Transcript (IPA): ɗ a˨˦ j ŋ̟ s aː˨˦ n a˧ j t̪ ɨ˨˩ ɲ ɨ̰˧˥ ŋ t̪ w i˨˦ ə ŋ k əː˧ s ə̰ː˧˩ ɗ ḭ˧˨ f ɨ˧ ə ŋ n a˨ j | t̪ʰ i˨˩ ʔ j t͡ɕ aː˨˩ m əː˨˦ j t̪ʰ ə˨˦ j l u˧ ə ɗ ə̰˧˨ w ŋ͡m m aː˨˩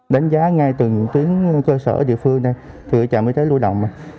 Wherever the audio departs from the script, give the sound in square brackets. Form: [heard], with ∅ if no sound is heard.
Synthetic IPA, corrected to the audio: ɗ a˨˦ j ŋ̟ [z] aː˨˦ [ŋ] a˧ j t̪ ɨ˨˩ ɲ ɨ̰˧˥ ŋ t̪ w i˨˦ ə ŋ k əː˧ s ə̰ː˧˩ ɗ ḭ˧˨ f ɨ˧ ə ŋ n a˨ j | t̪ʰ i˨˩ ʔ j t͡ɕ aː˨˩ m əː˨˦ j t̪ʰ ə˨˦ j l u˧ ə ɗ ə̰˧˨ w ŋ͡m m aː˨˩

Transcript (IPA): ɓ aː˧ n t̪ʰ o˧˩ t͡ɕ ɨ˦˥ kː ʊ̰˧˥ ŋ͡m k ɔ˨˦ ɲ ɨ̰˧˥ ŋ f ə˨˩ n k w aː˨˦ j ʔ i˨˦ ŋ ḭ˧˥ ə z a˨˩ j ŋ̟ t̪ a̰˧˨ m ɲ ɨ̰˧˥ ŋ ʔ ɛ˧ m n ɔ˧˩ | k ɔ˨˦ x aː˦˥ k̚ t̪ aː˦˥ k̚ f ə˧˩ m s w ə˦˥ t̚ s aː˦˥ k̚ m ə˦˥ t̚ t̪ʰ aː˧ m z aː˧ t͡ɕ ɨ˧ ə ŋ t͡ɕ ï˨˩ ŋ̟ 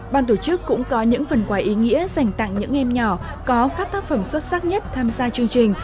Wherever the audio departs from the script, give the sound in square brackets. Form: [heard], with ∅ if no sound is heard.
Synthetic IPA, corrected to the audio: ɓ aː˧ n [t̪] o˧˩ t͡ɕ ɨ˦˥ kː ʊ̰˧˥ ŋ͡m k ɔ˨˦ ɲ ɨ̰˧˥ ŋ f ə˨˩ n k w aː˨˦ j ʔ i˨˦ ŋ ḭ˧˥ ə z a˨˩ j ŋ̟ t̪ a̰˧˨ [ŋ] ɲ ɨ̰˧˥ ŋ ʔ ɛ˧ m [ɲ] ɔ˧˩ | k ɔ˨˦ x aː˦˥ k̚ t̪ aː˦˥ k̚ f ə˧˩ m s w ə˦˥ t̚ s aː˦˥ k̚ [ɲ] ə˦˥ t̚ t̪ʰ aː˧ m z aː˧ t͡ɕ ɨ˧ ə ŋ t͡ɕ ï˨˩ ŋ̟

